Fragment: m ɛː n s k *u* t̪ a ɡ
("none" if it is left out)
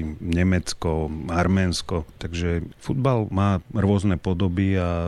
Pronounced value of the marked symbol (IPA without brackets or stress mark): ɔ